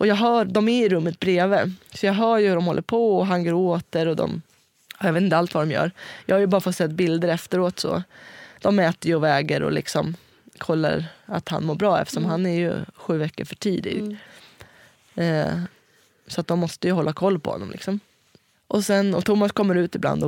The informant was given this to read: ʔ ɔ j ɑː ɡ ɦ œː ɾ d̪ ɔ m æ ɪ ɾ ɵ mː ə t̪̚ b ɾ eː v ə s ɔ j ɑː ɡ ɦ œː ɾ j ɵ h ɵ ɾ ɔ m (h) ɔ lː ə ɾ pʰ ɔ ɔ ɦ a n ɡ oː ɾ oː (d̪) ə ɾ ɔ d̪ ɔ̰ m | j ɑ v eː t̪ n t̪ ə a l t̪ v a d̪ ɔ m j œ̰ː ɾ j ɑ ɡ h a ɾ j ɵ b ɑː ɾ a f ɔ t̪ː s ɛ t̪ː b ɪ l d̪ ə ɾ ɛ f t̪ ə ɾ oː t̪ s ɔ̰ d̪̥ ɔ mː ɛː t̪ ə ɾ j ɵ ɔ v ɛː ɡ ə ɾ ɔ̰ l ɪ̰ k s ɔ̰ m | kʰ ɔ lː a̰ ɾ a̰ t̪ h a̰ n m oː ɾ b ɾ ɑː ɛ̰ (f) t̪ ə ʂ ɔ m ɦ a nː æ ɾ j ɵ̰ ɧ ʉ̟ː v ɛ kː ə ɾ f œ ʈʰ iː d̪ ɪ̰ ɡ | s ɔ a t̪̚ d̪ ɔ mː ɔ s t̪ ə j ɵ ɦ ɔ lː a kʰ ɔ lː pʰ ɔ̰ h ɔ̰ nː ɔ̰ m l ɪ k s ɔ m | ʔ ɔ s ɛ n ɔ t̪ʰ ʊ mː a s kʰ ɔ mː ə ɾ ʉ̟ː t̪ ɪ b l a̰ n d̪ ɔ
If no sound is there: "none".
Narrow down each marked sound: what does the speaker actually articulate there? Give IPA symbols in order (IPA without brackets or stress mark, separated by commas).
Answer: h, t̪, f